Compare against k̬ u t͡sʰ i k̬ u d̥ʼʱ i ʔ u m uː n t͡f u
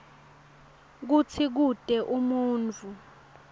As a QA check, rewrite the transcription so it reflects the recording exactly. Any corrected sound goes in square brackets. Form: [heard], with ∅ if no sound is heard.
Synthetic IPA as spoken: k̬ u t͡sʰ i k̬ u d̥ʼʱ [ɛ] ʔ u m uː n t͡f u